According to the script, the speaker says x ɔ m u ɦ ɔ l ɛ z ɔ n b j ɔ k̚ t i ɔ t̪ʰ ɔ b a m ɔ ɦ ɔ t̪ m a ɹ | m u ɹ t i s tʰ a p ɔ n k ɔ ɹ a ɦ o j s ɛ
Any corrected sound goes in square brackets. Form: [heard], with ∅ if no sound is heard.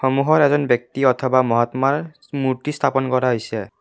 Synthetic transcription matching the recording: x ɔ m u ɦ ɔ [ɹ] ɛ z ɔ n b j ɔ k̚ t i ɔ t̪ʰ ɔ b a m ɔ ɦ ɔ t̪ m a ɹ | m u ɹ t i s tʰ a p ɔ n k ɔ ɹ a ɦ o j s ɛ